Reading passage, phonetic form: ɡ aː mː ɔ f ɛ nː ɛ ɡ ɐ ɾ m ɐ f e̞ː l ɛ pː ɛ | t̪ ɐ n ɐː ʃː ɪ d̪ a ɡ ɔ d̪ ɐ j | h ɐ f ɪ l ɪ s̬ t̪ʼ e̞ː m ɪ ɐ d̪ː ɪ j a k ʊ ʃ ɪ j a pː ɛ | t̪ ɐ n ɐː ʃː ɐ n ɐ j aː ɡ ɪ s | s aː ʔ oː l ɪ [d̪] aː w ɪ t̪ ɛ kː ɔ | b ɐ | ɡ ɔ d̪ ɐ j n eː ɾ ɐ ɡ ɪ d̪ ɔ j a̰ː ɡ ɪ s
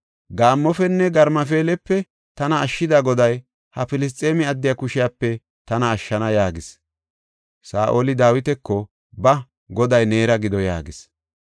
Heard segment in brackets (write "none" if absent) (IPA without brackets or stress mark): d̪